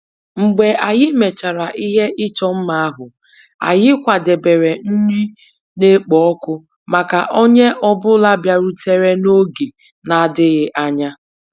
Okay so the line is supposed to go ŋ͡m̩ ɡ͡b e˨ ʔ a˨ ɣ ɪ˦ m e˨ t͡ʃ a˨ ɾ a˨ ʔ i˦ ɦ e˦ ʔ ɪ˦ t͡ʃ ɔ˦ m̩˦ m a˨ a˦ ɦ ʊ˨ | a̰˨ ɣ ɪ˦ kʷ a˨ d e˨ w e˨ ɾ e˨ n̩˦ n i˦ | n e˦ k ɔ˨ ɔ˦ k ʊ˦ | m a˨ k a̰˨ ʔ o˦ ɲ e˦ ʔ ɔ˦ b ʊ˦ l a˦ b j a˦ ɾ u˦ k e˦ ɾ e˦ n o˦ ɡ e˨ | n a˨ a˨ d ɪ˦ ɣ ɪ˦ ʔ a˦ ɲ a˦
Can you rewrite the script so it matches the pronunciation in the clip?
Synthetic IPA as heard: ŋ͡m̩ ɡ͡b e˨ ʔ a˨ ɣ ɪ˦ m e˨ t͡ʃ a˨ ɾ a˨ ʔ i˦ ɦ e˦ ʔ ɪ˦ t͡ʃ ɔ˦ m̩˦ m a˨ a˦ ɦ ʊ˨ | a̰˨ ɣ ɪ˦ kʷ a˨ d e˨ b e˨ ɾ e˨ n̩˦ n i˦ | n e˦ k͡p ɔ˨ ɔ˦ k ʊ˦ | m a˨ k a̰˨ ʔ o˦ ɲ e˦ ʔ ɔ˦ b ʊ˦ l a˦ b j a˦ ɾ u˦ t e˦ ɾ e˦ n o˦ ɡ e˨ | n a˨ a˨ d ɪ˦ ɣ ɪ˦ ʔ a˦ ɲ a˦